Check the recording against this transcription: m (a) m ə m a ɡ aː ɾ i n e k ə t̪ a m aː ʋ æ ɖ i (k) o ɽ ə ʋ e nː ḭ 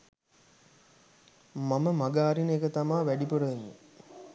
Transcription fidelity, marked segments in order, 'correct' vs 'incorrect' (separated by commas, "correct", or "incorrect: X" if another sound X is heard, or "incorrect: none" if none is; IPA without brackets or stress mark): correct, incorrect: p